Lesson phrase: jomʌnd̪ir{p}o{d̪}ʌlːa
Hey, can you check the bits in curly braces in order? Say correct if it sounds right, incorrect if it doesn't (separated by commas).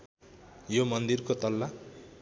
incorrect, incorrect